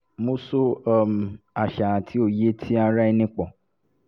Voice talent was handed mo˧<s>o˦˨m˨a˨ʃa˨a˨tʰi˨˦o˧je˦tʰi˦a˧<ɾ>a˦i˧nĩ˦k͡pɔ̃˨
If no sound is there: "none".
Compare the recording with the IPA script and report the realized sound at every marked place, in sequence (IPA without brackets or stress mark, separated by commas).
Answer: s, ɾ